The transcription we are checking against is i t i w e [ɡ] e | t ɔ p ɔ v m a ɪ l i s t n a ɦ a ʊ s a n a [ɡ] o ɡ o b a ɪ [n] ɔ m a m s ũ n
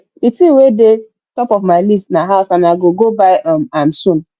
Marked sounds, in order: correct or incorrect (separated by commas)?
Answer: incorrect, correct, incorrect